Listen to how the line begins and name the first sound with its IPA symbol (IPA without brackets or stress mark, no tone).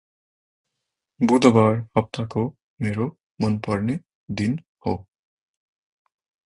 b